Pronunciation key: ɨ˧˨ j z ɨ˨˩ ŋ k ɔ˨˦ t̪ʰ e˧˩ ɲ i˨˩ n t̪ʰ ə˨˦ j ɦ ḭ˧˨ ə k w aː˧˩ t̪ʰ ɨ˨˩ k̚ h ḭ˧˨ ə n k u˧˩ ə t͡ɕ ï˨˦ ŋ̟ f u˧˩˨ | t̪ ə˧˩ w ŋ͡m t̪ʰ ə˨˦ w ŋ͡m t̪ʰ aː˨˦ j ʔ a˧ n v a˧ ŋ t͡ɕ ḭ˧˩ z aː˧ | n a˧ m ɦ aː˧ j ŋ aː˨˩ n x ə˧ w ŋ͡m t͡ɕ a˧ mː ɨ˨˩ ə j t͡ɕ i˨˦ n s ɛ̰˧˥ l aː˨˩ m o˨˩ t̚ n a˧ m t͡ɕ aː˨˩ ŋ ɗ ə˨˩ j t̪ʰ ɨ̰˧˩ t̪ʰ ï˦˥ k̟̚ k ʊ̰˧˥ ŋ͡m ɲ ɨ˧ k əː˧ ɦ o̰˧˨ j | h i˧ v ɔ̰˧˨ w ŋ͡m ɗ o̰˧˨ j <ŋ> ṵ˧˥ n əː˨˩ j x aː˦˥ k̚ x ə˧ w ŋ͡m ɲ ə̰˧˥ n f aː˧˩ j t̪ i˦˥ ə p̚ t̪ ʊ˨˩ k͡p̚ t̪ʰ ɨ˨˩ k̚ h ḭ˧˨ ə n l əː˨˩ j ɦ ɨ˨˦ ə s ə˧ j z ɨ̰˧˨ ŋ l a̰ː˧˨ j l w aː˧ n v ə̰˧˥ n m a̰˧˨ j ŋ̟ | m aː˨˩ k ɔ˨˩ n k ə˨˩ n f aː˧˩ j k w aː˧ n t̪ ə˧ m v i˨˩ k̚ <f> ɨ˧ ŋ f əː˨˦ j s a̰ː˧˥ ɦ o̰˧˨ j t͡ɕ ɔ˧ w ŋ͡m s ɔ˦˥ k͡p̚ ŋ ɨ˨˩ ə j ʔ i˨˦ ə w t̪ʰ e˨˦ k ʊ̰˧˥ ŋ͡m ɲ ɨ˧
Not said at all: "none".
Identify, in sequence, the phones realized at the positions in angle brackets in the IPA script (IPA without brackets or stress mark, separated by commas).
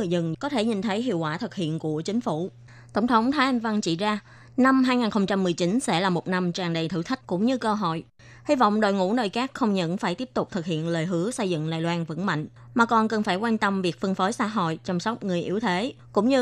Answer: ŋ, f